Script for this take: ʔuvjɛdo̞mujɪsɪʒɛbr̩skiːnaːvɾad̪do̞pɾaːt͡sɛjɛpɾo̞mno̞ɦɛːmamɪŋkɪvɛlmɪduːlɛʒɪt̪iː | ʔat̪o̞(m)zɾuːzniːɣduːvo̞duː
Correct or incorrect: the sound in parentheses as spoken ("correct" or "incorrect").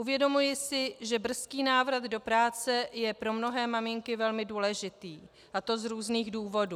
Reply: incorrect